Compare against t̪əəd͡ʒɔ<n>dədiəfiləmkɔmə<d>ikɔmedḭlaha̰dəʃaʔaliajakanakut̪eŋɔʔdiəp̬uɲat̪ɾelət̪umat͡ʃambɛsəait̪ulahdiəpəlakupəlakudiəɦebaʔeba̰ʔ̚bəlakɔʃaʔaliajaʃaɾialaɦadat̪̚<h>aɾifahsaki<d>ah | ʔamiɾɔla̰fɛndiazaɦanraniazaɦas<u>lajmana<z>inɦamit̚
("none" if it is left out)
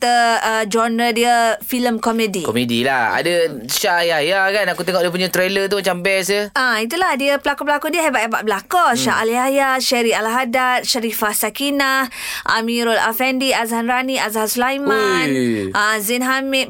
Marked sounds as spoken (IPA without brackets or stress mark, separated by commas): n, d, ʃ, n, u, z